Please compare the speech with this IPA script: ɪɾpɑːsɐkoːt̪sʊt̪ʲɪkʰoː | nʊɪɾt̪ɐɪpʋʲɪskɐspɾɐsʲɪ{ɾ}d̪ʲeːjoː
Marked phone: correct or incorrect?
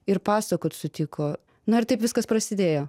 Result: incorrect